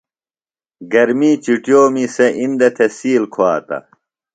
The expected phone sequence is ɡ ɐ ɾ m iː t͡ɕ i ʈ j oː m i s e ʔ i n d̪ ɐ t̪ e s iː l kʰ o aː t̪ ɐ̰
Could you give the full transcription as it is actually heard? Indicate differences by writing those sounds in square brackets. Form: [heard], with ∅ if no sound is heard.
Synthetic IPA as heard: ɡ ɐ ɾ m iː t͡ɕ i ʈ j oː m i s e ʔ i n d̪ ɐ [t̪ʰ] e s iː l kʰ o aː t̪ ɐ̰